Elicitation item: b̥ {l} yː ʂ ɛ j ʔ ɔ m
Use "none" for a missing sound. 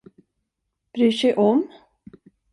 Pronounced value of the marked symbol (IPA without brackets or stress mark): ɾ